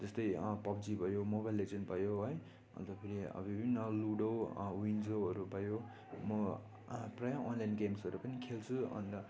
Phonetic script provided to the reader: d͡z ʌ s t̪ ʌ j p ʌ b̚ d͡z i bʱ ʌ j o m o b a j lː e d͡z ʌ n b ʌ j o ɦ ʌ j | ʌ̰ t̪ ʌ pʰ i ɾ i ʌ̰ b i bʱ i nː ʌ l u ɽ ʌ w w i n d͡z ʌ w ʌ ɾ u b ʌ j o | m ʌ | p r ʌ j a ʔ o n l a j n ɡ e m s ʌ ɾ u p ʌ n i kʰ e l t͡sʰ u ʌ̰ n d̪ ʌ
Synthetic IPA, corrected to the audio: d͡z ʌ s t̪ ʌ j p ʌ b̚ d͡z i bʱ ʌ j o m o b a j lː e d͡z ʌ n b ʌ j o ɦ ʌ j | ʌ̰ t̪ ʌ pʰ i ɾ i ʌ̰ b i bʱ i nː ʌ l u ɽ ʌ w w i n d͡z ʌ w ʌ ɾ u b ʌ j o | m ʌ | p r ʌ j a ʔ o n l a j n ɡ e m s ʌ ɾ u p ʌ n i kʰ e l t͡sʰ u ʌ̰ n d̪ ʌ